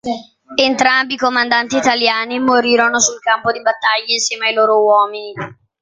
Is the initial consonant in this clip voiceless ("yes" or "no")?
no